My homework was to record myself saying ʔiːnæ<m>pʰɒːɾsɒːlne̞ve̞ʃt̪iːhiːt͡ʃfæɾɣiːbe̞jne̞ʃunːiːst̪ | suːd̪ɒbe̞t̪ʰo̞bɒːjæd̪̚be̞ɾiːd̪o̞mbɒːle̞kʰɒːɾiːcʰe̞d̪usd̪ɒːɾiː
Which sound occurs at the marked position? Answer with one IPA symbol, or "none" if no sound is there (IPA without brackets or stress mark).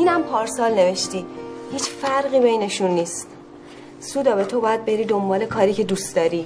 m